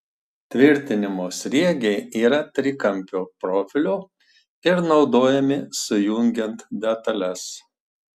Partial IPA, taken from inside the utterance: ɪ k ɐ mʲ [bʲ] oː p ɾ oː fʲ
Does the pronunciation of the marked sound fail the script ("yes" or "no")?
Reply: yes